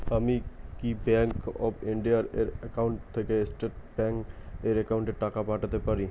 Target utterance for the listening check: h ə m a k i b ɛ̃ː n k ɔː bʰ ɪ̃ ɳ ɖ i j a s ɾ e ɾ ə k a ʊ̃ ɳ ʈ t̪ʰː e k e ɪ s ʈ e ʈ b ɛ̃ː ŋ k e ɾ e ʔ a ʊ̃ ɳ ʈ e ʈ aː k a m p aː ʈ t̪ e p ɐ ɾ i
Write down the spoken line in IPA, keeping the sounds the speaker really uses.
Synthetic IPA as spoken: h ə m i k i b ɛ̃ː ŋ k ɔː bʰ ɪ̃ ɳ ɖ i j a ɾ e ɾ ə k a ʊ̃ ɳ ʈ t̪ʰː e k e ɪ s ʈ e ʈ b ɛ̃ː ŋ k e ɾ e k a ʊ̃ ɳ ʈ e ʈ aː k a p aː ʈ t̪ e p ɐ ɾ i